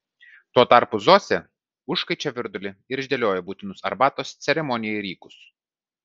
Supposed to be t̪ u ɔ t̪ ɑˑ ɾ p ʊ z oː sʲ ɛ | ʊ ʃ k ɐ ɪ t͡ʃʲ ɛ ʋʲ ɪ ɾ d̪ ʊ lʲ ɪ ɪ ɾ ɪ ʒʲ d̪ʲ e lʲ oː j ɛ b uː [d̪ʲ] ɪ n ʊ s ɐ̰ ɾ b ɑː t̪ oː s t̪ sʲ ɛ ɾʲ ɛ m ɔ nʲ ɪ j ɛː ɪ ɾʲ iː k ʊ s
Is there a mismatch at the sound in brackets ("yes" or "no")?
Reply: yes